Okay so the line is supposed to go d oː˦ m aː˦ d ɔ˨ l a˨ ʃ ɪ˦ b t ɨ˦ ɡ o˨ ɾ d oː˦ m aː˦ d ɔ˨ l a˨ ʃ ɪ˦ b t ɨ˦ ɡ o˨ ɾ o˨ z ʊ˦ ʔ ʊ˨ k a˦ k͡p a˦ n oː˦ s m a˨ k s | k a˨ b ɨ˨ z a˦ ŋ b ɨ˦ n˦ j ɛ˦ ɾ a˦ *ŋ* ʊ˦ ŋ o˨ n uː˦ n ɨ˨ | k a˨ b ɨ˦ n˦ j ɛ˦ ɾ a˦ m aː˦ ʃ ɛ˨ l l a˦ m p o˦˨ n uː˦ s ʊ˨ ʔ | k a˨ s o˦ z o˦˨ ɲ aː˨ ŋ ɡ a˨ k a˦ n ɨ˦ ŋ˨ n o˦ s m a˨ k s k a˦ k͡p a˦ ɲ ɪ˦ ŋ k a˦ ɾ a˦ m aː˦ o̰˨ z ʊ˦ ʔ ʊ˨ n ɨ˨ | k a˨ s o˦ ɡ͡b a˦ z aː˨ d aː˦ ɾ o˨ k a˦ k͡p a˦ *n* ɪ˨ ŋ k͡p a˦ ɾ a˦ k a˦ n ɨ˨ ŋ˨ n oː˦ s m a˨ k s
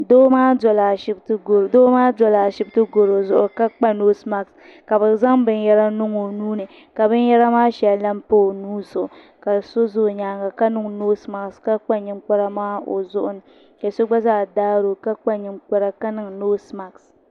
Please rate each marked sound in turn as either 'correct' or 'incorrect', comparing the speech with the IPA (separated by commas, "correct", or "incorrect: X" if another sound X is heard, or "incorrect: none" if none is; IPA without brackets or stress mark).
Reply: incorrect: n, incorrect: ɲ